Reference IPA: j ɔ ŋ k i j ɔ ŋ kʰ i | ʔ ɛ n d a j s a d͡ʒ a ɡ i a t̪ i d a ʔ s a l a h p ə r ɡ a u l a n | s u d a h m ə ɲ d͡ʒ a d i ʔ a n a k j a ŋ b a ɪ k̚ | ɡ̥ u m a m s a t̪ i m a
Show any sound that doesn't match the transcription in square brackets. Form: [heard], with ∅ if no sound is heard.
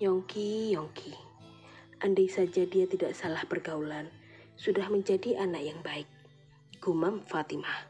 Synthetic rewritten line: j ɔ ŋ k i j ɔ ŋ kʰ i | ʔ [a] n d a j s a d͡ʒ a [d] i a t̪ i d a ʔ s a l a h p ə r ɡ a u l a n | s u d a h m ə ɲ d͡ʒ a d i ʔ a n a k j a ŋ b a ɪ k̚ | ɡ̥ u m a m [f] a t̪ i m a